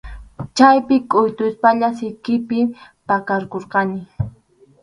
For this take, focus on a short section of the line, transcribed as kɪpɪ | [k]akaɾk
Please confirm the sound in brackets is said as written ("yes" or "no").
no